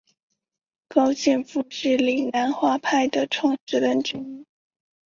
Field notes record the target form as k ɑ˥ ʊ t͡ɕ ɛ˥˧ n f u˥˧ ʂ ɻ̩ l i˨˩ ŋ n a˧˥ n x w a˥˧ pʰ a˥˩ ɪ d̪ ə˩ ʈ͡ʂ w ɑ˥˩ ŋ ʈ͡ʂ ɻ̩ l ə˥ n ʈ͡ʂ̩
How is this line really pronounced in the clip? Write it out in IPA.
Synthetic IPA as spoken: k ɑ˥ ʊ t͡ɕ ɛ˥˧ n f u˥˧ ʂ ɻ̩ l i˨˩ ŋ n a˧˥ n x w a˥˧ pʰ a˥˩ ɪ d̪ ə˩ ʈ͡ʂʰ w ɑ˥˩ ŋ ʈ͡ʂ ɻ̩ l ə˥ n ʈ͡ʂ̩

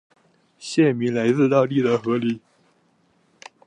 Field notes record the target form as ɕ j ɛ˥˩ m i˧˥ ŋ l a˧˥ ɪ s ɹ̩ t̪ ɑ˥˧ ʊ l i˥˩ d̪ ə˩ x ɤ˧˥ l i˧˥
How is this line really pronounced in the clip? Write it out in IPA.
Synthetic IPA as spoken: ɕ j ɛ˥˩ m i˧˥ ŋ l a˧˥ ɪ t͡s ɹ̩ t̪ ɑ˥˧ ʊ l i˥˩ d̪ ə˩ x ɤ˧˥ l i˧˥

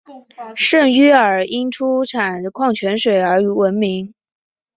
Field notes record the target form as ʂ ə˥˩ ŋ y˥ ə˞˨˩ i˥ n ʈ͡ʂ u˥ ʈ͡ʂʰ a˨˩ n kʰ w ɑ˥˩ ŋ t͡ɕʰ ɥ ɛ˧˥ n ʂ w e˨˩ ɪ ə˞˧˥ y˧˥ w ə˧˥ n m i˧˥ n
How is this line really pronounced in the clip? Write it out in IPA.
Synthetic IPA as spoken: ʂ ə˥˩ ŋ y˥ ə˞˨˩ i˥ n ʈ͡ʂʰ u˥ ʈ͡ʂʰ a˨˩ n kʰ w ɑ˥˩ ŋ t͡ɕʰ ɥ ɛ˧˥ n ʂ w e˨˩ ɪ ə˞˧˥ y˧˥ w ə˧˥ n m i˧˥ ŋ

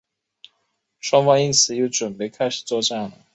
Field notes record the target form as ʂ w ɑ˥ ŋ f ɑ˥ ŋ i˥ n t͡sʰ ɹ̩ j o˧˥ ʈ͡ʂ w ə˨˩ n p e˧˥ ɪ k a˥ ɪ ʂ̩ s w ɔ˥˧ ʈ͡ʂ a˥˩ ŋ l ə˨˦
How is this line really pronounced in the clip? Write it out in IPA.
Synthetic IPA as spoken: ʂ w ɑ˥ ŋ f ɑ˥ ŋ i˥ n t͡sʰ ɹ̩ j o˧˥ ʈ͡ʂ w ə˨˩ n p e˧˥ ɪ kʰ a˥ ɪ ʂ̩ t͡s w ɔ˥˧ ʈ͡ʂ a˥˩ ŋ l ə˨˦

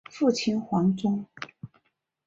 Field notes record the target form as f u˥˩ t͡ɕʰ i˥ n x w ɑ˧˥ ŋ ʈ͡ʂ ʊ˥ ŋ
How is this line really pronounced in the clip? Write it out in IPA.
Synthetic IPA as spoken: f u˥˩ t͡ɕʰ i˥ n x w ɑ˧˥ ŋ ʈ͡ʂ ʊ˥ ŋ

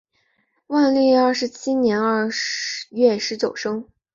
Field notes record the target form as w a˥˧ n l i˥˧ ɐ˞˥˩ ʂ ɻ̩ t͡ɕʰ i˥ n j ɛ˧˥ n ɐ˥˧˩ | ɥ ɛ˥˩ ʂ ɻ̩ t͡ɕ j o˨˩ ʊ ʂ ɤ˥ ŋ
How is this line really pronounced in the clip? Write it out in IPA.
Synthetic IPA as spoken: w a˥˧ n l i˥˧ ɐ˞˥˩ ʂ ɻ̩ t͡ɕʰ i˥ n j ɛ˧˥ n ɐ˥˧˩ | ɥ ɛ˥˩ ʂ ɻ̩ t͡ɕ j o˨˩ ʊ ʂ ɤ˥ ŋ

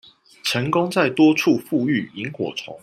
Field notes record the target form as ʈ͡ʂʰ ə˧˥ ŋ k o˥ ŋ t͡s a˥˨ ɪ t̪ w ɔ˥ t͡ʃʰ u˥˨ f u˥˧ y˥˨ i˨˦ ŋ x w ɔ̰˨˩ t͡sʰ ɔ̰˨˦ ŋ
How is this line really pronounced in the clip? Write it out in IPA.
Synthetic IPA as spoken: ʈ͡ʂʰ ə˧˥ ŋ k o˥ ŋ t͡s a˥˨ ɪ t̪ w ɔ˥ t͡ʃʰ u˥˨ f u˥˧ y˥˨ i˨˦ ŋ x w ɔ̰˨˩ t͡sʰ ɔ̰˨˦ ŋ

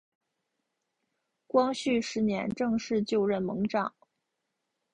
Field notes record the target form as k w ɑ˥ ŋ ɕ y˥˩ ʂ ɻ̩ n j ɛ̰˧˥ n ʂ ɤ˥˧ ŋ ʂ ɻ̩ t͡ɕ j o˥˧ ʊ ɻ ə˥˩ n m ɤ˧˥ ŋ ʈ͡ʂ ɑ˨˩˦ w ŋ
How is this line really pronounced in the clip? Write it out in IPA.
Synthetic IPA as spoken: k w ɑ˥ ŋ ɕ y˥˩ ʂ ɻ̩ n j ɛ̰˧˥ n ʈ͡ʂ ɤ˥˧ ŋ ʂ ɻ̩ t͡ɕ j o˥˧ ʊ ɻ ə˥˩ n m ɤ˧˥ ŋ ʈ͡ʂ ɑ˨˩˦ ŋ

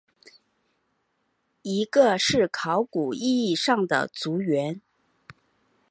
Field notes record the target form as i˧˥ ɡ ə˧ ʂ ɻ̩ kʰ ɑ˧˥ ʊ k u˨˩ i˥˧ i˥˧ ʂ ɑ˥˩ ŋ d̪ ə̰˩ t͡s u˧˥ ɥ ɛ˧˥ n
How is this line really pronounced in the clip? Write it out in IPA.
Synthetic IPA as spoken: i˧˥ ɡ ə˧ ʂ ɻ̩ kʰ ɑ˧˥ ʊ k u˨˩ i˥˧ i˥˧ ʂ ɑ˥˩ ŋ d̪ ə̰˩ t͡s u˧˥ ɥ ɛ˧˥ n

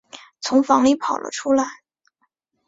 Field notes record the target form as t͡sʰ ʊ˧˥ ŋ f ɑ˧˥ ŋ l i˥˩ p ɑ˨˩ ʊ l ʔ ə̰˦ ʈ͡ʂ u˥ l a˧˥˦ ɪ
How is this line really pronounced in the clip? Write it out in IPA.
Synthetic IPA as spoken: t͡sʰ ʊ˧˥ ŋ f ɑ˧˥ ŋ l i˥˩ pʰ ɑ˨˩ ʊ l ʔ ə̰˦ ʈ͡ʂʰ u˥ l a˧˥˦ ɪ

